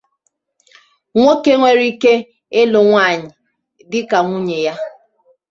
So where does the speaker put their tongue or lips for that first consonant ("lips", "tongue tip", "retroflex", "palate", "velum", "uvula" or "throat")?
velum